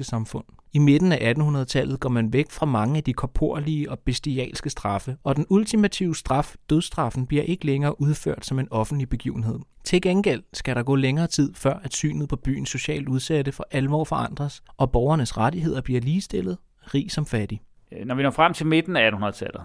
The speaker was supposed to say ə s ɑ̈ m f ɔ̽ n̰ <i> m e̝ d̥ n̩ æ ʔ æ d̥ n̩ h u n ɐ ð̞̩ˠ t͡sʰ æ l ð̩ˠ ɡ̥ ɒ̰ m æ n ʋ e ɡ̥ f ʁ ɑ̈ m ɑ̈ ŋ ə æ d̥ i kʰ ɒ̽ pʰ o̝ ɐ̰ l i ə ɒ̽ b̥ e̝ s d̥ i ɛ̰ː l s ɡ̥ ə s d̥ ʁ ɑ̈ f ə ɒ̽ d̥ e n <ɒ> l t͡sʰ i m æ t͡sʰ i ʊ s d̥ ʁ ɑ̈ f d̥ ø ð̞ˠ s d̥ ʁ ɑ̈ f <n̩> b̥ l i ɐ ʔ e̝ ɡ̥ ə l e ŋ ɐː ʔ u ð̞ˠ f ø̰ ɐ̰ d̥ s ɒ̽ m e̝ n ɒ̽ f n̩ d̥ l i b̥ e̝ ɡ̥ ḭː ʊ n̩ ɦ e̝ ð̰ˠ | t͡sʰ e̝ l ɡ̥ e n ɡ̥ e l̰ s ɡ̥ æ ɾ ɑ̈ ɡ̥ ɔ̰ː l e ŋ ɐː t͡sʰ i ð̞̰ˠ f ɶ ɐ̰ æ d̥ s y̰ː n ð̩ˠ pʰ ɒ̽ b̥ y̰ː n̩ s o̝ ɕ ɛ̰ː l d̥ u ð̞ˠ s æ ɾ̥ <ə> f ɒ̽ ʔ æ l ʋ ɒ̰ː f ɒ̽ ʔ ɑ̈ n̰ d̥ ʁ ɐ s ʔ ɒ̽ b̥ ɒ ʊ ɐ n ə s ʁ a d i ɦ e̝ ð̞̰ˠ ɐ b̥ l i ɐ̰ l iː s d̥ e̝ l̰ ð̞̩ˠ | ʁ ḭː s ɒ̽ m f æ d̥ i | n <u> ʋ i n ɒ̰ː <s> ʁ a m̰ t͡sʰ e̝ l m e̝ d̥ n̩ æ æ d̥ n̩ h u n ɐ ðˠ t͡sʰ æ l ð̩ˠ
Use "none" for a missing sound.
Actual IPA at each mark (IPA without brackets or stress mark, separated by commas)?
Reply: i, u, n̩, ə, ɒ, f